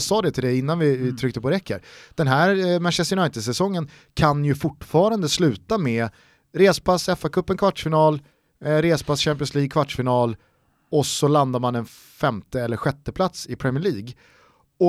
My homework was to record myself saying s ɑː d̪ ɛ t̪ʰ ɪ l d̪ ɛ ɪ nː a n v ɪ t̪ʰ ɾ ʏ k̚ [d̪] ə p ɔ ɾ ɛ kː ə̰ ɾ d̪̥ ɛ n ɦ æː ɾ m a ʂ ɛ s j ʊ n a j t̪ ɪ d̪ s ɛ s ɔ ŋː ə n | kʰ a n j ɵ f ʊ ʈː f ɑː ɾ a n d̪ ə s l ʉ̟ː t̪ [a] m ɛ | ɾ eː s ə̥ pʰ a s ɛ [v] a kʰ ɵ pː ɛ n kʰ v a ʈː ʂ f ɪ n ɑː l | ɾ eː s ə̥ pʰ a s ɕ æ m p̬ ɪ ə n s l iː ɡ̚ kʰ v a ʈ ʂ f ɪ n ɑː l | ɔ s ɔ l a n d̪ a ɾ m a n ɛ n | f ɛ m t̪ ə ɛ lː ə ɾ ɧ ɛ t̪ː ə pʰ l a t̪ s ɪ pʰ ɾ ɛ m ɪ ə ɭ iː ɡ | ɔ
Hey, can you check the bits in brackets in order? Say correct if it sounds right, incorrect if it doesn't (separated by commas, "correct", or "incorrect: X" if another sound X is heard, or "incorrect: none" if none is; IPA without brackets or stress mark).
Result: incorrect: t̪, correct, incorrect: f